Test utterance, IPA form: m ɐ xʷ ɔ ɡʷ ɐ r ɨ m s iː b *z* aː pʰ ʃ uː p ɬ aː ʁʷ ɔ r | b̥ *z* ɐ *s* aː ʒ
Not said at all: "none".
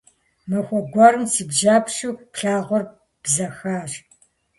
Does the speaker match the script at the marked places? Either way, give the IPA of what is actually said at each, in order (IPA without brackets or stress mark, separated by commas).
ʒ, z, x